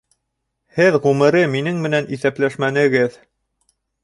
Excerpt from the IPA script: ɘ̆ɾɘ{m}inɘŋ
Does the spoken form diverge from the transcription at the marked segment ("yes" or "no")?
no